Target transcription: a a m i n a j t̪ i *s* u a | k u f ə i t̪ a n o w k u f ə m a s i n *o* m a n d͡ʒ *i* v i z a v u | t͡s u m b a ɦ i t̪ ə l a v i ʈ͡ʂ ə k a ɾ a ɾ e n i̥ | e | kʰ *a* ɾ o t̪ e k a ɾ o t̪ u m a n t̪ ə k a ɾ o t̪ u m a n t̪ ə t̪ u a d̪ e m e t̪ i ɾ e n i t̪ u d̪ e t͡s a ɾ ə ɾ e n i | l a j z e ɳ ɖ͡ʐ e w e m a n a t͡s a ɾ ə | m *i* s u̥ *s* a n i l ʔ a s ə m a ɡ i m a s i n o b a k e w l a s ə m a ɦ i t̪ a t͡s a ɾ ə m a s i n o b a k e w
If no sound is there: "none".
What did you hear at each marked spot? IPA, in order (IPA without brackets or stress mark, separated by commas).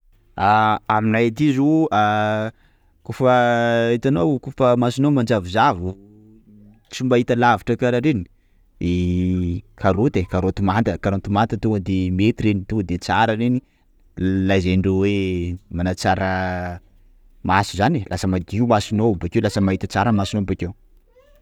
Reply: z, o, a, a, a, z